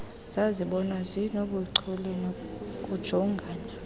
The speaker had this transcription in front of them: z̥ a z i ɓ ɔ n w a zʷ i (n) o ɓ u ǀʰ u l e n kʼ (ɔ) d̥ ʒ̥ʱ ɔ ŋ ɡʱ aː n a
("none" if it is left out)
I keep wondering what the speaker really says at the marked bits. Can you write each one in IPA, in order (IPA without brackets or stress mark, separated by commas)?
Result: n, u